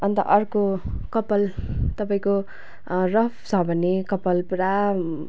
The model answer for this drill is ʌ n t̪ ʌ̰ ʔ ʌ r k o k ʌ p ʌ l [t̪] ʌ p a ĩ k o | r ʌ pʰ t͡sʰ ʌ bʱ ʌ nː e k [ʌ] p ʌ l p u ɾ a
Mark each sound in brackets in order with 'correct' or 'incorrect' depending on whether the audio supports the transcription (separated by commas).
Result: correct, correct